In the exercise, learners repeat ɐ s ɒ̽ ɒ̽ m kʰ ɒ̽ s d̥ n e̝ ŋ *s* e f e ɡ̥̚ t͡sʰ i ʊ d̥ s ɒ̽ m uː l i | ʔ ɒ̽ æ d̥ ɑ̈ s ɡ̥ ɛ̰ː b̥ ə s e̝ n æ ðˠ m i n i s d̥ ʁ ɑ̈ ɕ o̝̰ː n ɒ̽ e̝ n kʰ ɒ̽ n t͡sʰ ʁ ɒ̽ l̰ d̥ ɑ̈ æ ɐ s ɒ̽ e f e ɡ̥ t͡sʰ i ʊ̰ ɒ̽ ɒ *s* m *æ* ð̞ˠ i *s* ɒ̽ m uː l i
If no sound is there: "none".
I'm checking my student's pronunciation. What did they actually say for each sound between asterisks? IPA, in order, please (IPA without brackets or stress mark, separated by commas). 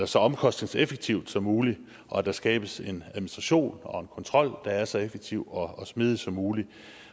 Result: s, s, i, s